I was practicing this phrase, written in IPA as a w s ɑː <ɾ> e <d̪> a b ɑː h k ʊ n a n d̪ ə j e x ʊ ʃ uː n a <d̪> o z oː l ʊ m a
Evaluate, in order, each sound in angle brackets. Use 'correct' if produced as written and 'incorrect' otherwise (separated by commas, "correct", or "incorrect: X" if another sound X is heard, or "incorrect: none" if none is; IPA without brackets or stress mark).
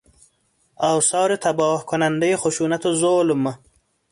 correct, incorrect: t̪, incorrect: t̪